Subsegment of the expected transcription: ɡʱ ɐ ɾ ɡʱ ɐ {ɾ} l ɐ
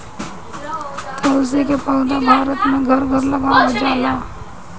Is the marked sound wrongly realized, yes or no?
no